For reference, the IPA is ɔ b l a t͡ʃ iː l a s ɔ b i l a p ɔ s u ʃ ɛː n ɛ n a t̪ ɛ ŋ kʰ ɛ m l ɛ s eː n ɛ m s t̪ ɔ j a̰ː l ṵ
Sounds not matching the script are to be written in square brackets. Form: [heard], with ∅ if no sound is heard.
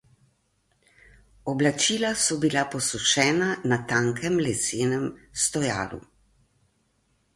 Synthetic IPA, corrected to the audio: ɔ b l a t͡ʃ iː l a s ɔ b i l a p ɔ s u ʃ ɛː n [a] n a t̪ [a] ŋ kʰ ɛ m l ɛ s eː n ɛ m s t̪ ɔ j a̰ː l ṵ

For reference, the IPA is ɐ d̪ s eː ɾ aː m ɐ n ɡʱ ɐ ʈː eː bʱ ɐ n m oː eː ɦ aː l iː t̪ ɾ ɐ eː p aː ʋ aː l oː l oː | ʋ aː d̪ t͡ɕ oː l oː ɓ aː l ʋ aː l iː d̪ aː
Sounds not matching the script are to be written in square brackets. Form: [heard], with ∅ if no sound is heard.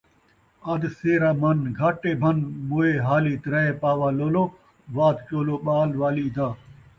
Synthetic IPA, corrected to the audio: ɐ d̪ s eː ɾ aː m ɐ n ɡʱ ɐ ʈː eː bʱ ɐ n m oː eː ɦ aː l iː t̪ ɾ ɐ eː p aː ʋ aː l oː l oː | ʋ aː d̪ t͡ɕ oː l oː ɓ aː l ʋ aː l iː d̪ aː

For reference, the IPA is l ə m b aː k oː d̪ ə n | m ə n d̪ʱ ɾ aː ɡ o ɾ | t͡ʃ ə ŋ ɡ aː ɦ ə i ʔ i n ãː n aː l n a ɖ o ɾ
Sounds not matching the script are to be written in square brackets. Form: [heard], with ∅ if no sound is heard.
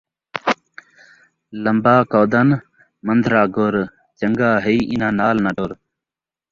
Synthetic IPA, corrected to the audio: l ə m b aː k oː d̪ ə n | m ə n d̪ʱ ɾ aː ɡ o ɾ | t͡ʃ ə ŋ ɡ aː ɦ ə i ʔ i n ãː n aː l n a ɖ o ɾ

